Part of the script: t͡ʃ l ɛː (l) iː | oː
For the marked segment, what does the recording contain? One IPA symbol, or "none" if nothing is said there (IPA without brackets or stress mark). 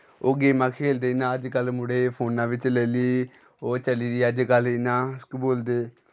l